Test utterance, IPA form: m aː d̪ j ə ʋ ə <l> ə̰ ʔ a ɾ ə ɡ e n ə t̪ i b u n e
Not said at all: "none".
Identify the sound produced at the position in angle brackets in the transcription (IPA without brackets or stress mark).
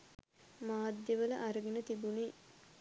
l